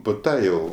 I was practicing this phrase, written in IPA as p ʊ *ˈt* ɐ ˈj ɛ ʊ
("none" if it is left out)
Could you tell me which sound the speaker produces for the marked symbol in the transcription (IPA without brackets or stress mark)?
t